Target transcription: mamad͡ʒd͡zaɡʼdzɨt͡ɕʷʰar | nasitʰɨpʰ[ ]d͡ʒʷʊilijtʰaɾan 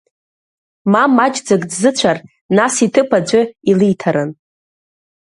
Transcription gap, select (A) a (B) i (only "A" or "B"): A